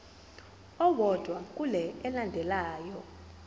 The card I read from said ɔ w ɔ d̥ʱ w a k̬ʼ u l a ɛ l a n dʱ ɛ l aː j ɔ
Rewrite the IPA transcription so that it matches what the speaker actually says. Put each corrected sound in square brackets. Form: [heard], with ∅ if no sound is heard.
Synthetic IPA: ɔ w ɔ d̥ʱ w a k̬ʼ u l [ɛ] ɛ l a n dʱ ɛ l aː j ɔ